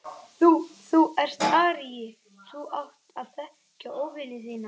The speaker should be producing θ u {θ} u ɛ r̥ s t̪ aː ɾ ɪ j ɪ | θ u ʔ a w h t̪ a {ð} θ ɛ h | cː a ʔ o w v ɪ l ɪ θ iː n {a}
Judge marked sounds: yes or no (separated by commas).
yes, yes, yes